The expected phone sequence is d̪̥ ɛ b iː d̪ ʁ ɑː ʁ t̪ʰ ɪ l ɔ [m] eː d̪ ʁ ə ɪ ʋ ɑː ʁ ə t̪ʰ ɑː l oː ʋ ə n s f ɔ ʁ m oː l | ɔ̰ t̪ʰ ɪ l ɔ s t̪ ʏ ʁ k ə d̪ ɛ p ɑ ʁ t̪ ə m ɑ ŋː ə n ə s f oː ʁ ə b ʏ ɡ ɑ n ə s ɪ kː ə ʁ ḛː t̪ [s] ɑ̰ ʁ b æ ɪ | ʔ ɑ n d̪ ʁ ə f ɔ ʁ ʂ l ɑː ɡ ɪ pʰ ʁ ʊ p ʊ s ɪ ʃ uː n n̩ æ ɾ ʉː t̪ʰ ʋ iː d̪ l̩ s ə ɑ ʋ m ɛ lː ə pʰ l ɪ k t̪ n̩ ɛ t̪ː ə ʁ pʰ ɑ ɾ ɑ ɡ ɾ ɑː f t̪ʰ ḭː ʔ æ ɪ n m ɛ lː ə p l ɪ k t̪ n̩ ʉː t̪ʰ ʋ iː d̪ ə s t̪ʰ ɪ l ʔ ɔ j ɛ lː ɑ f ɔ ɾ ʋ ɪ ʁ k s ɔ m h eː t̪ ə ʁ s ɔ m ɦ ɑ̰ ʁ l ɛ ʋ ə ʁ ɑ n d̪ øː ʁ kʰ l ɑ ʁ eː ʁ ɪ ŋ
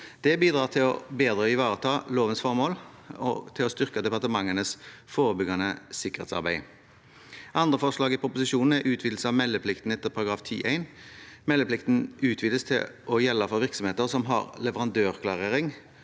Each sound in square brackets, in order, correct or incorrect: incorrect, correct

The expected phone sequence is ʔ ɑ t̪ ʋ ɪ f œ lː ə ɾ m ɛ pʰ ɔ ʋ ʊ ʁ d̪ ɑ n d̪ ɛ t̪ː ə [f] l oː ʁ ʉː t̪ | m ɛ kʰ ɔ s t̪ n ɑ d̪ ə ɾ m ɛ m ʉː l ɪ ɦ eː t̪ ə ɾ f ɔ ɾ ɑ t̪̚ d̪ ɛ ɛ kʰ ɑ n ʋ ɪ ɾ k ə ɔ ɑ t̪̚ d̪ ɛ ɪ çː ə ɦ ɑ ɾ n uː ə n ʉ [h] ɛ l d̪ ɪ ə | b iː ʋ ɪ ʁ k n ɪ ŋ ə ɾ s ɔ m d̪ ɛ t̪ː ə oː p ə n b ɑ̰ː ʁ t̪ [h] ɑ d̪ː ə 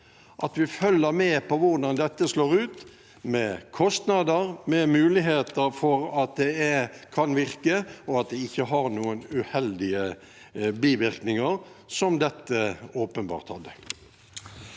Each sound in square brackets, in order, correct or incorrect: incorrect, correct, correct

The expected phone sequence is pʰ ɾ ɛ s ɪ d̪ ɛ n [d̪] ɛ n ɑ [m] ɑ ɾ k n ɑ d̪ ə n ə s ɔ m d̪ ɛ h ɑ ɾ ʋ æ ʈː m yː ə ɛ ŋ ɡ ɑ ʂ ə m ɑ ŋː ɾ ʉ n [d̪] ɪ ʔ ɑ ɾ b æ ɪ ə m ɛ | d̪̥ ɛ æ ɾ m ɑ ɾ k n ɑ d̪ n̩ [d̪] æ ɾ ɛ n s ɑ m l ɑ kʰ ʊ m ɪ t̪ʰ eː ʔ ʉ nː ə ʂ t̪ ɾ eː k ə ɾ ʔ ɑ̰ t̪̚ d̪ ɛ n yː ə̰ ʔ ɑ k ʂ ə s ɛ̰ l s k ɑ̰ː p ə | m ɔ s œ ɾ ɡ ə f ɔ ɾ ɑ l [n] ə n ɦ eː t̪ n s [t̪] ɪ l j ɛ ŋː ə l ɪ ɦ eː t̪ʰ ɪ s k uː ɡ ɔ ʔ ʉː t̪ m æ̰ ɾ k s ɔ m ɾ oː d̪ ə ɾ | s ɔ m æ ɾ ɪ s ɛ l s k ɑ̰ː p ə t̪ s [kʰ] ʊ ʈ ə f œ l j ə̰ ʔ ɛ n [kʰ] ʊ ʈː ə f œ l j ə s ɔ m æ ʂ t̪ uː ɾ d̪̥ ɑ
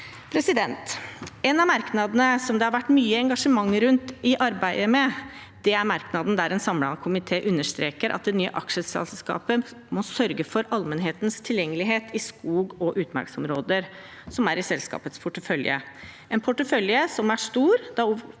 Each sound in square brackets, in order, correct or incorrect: incorrect, correct, incorrect, correct, incorrect, incorrect, incorrect, incorrect

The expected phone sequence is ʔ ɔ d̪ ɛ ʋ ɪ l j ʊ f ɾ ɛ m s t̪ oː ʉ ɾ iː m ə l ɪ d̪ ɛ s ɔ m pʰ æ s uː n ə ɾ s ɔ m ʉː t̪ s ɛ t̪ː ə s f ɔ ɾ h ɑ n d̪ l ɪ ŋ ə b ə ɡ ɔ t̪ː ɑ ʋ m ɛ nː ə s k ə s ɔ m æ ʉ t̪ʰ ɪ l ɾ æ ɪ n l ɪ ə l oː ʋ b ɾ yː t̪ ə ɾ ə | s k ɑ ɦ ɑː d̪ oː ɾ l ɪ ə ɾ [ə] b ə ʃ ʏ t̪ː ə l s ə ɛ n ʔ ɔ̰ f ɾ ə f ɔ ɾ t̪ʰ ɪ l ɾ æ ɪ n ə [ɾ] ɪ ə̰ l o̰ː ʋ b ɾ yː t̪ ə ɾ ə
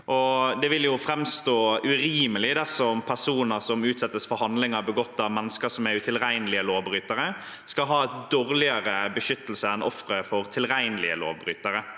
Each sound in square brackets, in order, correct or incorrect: correct, incorrect

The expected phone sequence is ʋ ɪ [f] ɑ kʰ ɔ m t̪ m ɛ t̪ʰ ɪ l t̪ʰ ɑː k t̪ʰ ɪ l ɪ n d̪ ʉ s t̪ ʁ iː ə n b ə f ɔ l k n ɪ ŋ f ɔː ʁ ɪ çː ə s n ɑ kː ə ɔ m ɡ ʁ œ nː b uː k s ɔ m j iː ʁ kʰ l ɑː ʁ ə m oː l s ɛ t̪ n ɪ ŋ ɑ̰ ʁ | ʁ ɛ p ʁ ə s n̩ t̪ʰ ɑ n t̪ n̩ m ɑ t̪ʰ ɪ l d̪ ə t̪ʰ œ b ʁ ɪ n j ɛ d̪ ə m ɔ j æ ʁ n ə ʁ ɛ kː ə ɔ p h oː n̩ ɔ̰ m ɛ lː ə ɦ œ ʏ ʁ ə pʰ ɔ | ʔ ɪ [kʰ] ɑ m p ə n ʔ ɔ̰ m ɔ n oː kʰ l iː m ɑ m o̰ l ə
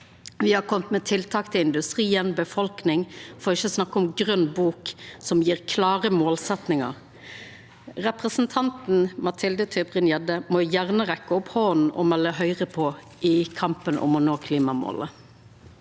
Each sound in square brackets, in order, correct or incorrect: incorrect, correct

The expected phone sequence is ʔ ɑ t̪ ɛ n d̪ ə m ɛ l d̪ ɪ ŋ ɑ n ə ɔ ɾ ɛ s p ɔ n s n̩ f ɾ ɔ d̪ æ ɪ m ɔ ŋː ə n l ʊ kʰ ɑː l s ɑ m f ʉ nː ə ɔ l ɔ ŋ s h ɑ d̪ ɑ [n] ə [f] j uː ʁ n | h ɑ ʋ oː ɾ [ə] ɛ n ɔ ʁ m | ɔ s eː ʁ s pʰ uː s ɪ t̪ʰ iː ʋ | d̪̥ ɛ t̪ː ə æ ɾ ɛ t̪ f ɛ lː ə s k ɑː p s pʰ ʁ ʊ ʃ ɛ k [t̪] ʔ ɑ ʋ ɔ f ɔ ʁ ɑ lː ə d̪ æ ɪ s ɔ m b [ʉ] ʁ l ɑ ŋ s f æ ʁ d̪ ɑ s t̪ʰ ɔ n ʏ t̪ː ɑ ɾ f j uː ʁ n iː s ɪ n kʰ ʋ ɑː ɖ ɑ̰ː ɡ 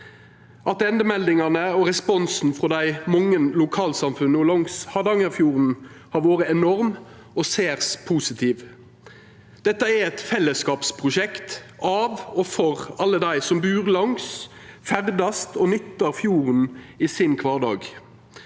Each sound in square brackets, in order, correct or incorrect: incorrect, correct, correct, correct, incorrect

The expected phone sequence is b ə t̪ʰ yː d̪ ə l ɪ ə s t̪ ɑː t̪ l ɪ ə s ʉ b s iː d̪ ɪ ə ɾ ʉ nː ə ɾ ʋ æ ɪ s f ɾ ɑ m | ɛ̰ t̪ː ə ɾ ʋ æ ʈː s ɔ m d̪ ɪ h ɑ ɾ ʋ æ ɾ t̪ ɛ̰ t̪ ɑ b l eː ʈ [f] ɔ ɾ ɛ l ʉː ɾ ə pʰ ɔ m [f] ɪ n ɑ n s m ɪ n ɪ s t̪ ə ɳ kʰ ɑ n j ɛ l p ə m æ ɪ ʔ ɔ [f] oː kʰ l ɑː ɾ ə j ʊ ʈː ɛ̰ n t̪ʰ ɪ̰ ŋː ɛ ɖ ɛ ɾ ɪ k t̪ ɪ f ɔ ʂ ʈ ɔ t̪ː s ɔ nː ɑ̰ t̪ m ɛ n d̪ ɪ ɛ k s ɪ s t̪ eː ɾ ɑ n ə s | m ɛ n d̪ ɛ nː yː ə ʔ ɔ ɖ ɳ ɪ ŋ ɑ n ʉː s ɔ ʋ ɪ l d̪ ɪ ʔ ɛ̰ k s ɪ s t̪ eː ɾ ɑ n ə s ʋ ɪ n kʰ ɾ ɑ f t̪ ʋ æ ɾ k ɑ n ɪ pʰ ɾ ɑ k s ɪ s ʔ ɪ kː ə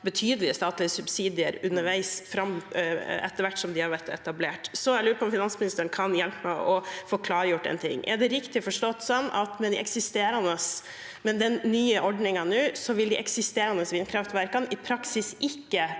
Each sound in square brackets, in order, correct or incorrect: incorrect, correct, correct

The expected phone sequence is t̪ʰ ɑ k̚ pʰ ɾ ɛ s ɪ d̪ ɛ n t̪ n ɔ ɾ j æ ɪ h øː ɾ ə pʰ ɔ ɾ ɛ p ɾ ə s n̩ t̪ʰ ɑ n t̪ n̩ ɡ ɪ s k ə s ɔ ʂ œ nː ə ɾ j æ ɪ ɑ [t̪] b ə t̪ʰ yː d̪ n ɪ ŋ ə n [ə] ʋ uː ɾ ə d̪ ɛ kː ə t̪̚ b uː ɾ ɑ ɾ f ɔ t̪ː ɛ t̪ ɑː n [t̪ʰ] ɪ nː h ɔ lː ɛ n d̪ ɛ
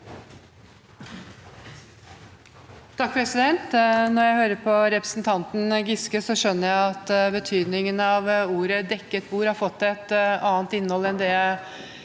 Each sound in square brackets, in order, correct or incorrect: correct, incorrect, incorrect

